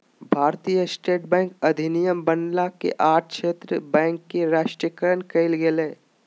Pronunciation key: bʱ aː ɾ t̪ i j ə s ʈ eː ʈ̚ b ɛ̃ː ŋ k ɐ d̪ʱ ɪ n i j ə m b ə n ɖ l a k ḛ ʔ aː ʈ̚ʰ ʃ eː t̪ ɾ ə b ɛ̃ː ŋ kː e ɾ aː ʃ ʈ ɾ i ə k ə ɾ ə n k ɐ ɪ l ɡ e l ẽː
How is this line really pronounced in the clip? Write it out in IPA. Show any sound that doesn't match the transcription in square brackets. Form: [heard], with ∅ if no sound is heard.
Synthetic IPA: bʱ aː ɾ t̪ i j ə s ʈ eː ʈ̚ b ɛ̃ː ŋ k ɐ d̪ʱ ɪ n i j ə m b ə n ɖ l a k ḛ ʔ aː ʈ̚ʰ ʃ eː t̪ ɾ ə b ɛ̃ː ŋ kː e ɾ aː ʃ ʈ ɾ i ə k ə ɾ ə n k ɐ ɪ l ɡ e l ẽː

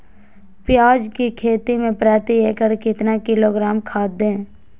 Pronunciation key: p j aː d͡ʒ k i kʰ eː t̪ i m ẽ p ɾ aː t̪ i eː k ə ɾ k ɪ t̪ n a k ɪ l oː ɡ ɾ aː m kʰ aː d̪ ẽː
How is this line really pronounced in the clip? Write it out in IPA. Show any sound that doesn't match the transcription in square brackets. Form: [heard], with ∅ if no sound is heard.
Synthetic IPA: p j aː d͡ʒ k i kʰ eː t̪ i m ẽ p ɾ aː t̪ i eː k ə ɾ k ɪ t̪ n a k ɪ l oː ɡ ɾ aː m kʰ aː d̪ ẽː

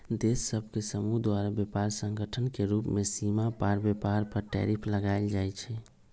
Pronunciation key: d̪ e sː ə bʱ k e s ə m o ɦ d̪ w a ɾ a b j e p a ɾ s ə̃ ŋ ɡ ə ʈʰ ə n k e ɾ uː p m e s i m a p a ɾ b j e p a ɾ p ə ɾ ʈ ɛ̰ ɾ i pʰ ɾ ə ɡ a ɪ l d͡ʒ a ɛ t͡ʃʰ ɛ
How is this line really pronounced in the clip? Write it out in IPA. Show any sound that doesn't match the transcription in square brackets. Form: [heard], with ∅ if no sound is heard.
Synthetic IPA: d̪ e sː ə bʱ k e s ə m [u] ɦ d̪ w a ɾ a b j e p a ɾ s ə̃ ŋ ɡ ə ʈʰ ə n k e ɾ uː p m e s i m a p a ɾ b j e p a ɾ p ə ɾ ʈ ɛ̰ ɾ i pʰ [l] ə ɡ a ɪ l d͡ʒ a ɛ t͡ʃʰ ɛ

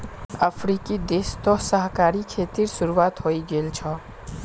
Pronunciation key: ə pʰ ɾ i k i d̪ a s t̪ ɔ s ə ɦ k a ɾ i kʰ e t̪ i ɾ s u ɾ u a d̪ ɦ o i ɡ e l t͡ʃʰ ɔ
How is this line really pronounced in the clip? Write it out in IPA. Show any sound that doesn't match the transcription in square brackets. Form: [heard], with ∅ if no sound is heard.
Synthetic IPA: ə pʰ ɾ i k i d̪ [e] s t̪ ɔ s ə ɦ k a ɾ i kʰ e t̪ i ɾ s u ɾ u a [t̪] ɦ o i ɡ e l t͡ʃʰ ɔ

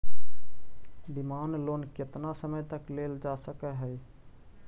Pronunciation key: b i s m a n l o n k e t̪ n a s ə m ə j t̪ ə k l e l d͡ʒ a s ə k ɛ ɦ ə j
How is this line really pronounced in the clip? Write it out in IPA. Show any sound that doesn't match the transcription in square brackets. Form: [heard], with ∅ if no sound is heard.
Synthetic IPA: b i [∅] m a n l o n k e t̪ n a s ə m ə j t̪ ə k l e l d͡ʒ a s ə k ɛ ɦ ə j

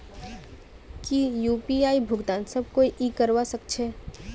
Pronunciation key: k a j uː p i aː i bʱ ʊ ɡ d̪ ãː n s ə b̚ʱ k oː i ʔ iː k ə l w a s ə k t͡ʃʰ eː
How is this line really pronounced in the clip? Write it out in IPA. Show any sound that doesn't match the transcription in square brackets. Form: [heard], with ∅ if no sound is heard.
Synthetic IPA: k [i] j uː p i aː i bʱ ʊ ɡ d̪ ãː n s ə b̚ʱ k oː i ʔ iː k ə [ɾ] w a s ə k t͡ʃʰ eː

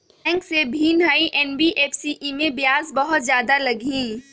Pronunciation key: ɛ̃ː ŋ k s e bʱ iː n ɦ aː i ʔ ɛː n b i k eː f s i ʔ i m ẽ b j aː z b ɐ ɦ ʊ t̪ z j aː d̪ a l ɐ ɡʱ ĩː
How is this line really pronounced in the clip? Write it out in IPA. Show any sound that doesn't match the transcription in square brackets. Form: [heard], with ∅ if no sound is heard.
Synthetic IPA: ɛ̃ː ŋ k s e bʱ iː n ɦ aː i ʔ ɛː n b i [ʔ] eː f s i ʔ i m ẽ b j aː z b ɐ ɦ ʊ t̪ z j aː d̪ a l ɐ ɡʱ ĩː

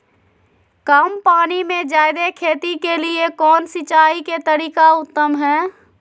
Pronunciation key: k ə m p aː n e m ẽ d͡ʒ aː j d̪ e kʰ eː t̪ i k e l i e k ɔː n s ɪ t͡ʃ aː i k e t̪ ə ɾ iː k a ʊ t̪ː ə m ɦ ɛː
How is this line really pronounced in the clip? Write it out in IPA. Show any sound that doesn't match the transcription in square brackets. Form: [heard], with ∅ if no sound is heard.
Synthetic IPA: k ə m p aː n [i] m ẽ d͡ʒ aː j d̪ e kʰ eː t̪ i k e l i e k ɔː n s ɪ t͡ʃ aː i k e t̪ ə ɾ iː k a ʊ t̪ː ə m ɦ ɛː

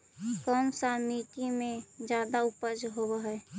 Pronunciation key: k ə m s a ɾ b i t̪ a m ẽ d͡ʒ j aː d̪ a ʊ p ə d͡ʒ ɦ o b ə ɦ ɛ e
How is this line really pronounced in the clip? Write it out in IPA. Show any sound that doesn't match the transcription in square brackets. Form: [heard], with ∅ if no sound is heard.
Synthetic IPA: k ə m s a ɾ [m] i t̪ [i] m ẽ d͡ʒ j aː d̪ a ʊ p ə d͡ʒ ɦ o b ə ɦ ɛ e

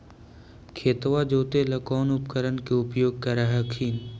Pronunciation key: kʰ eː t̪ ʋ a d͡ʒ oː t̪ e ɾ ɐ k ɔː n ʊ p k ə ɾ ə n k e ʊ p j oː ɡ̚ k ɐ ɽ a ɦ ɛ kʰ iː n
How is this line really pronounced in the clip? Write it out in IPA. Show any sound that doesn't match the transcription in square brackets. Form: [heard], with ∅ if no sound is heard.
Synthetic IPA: kʰ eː t̪ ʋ a d͡ʒ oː t̪ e [l] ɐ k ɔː n ʊ p k ə ɾ ə n k e ʊ p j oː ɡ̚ k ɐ [ɾ] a ɦ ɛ kʰ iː n

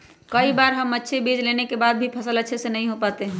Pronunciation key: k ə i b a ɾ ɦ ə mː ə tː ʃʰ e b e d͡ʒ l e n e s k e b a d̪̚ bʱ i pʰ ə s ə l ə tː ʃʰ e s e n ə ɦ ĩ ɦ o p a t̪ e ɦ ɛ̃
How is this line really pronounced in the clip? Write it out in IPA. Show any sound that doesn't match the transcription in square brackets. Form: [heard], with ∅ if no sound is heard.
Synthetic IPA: k ə i b a ɾ ɦ ə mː ə tː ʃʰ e b e d͡ʒ l e n e [∅] k e b a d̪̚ bʱ i pʰ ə s ə l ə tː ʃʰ e s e n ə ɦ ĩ ɦ o p a t̪ e ɦ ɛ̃

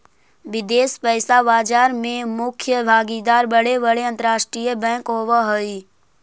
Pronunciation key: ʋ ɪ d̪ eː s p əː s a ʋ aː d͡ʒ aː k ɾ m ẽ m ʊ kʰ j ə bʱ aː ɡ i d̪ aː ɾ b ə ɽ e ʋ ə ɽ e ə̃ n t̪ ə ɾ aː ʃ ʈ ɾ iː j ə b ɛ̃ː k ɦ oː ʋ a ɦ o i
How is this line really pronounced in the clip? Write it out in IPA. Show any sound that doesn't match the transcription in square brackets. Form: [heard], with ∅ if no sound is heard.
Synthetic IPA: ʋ ɪ d̪ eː s p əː s a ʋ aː d͡ʒ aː [∅] ɾ m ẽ m ʊ kʰ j ə bʱ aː ɡ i d̪ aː ɾ b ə ɽ e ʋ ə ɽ e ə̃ n t̪ ə ɾ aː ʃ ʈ ɾ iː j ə b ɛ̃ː k ɦ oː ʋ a ɦ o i

